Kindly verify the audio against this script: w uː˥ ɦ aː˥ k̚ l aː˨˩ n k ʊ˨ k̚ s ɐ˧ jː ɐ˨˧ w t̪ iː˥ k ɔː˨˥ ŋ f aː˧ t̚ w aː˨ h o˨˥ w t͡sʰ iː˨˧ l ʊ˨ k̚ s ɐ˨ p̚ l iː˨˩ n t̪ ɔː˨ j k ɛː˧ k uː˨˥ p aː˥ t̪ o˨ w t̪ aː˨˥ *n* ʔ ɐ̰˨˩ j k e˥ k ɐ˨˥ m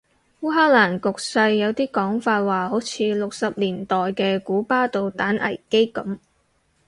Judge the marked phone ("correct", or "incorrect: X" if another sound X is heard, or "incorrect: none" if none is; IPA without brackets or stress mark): correct